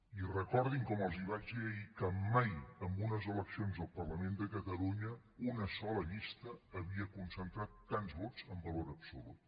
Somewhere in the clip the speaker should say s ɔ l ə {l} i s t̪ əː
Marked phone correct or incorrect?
incorrect